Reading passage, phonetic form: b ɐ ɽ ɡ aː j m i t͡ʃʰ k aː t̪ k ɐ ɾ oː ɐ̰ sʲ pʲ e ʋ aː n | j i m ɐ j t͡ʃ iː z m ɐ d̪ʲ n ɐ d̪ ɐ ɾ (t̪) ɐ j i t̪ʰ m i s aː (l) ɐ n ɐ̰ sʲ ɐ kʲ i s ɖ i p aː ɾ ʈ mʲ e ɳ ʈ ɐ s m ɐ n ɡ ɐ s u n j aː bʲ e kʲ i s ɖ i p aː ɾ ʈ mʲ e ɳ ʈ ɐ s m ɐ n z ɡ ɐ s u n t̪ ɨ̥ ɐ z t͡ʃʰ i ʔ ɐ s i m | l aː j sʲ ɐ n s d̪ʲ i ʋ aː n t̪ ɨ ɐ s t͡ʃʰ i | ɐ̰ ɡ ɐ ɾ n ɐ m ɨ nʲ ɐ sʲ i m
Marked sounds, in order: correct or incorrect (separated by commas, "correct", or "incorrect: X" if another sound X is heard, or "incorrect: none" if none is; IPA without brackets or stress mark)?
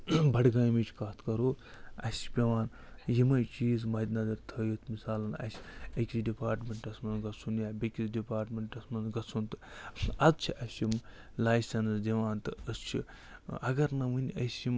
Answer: incorrect: t̪ʰ, correct